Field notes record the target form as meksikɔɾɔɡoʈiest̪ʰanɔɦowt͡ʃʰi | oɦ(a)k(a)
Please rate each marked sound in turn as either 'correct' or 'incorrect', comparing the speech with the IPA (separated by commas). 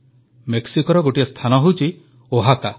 correct, correct